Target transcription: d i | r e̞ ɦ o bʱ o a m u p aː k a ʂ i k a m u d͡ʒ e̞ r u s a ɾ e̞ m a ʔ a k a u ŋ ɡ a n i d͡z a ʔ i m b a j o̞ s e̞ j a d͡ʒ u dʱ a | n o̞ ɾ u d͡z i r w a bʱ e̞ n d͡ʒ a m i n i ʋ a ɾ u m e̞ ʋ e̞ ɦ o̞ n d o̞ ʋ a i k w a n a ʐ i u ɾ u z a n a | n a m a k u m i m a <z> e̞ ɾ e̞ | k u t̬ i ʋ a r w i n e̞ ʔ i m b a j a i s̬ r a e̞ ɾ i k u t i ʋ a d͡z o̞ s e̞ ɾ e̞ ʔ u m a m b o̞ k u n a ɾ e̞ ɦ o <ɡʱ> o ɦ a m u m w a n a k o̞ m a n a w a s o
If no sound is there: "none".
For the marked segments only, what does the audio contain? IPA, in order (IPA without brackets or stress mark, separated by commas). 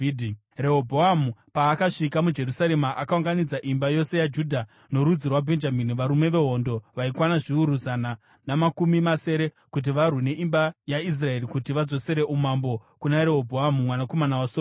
s, bʱ